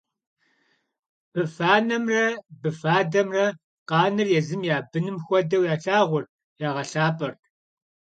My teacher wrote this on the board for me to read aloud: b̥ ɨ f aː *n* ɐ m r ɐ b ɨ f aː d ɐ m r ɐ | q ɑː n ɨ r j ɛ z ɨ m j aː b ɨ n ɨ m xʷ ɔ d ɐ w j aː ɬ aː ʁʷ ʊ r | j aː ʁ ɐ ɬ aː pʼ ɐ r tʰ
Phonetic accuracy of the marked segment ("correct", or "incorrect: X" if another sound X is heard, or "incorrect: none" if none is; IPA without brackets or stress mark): correct